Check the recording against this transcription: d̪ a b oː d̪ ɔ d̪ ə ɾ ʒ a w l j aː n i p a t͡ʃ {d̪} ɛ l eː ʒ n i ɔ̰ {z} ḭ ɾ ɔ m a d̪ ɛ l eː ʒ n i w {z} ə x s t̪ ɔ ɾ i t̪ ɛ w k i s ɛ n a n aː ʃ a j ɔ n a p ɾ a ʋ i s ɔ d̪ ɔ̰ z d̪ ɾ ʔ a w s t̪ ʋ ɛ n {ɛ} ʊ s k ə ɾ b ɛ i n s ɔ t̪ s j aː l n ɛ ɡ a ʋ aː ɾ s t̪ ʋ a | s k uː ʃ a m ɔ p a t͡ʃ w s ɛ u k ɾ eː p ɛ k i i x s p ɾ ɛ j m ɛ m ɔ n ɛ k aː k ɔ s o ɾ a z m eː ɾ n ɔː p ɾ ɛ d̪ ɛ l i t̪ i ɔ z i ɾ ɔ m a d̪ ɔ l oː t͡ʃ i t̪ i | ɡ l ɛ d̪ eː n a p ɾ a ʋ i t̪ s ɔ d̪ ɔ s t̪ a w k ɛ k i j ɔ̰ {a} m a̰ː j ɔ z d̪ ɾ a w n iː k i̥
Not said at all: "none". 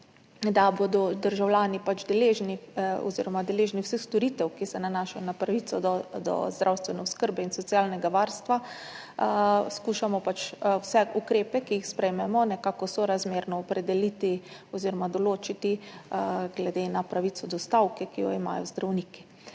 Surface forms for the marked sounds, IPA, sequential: d̪, z, s, ɛ, i

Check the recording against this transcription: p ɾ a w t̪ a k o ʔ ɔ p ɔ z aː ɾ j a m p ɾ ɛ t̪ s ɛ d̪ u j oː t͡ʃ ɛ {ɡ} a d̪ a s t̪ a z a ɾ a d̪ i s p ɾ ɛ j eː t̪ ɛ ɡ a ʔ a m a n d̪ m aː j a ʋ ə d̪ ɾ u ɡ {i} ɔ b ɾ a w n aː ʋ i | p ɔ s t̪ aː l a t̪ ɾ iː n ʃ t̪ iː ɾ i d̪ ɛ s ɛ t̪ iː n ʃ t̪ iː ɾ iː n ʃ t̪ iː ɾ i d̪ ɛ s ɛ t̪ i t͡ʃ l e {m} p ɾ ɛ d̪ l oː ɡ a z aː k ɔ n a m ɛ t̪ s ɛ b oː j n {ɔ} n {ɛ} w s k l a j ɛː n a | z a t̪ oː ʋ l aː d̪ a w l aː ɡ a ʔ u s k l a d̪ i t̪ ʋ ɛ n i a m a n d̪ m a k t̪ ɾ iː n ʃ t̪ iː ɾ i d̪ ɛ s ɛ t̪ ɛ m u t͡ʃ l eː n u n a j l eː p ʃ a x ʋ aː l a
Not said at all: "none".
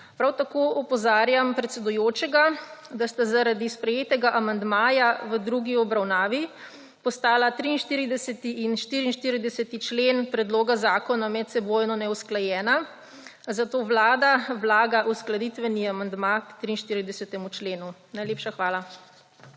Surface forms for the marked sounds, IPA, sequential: ɡ, i, n, ɔ, ɛ

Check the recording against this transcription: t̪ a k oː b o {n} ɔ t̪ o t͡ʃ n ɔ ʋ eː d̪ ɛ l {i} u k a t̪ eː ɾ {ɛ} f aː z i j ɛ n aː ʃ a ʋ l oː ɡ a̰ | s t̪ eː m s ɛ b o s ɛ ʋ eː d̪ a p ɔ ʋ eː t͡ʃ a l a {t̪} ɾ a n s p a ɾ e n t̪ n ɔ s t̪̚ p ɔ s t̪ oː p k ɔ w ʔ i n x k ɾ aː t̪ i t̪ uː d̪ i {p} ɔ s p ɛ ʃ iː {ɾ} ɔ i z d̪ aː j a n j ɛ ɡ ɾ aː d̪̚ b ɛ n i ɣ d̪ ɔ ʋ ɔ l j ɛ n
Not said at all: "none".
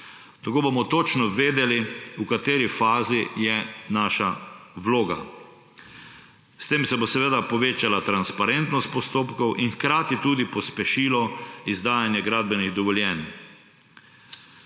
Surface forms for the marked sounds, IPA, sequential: m, i, i, t̪, p, l

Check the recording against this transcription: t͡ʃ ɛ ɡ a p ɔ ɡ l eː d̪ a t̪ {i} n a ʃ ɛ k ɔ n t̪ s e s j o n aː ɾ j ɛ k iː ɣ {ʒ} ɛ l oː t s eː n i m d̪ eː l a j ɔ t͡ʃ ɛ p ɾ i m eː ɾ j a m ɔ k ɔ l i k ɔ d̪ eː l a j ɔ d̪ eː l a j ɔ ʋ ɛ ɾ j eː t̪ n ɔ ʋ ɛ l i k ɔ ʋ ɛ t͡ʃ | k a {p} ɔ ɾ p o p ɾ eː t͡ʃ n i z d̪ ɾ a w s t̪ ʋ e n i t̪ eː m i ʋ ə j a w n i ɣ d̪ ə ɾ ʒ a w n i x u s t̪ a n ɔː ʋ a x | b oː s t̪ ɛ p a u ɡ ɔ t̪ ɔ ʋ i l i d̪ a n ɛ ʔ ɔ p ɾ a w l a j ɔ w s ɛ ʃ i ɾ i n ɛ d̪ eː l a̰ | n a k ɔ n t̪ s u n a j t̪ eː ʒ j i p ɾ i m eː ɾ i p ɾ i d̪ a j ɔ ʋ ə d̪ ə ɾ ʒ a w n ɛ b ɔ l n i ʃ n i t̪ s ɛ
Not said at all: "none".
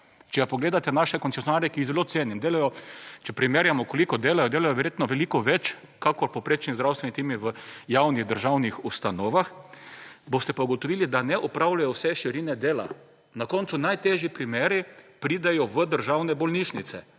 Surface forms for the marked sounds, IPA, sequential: ɛ, z, k

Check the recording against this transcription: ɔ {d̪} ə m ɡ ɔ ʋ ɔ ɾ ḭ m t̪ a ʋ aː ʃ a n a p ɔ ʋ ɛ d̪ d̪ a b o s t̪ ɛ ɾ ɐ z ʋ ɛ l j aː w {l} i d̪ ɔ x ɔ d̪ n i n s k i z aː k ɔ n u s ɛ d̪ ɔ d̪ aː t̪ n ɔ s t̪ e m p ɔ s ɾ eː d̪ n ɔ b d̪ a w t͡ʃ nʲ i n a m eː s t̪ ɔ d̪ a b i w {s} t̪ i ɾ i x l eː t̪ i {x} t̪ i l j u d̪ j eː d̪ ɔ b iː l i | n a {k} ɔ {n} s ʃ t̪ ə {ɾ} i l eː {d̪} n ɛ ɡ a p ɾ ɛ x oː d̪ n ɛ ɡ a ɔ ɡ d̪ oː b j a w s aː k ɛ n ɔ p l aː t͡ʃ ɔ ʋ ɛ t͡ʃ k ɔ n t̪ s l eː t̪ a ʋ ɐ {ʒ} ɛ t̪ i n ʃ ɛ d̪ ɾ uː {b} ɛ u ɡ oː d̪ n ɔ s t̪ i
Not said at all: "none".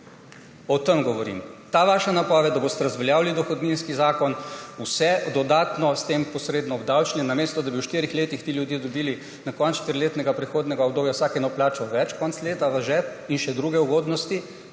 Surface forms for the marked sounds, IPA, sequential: t̪, l, ʃ, x, k, n, ɾ, t̪, ʒ, ɡ

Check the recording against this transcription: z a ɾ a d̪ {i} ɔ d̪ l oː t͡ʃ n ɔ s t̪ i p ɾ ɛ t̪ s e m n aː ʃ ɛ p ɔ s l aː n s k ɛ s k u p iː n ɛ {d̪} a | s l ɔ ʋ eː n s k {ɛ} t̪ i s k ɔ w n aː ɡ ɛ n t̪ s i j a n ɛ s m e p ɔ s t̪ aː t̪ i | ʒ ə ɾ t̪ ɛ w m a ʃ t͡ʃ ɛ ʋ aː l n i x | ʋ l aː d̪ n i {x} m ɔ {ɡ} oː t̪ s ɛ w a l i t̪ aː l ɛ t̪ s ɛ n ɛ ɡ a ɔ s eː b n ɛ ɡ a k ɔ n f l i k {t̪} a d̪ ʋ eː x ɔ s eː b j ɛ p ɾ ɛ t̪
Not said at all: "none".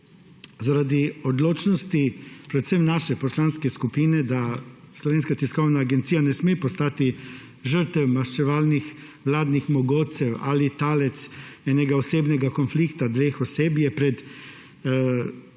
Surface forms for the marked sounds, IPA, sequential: i, d̪, a, x, ɡ, t̪

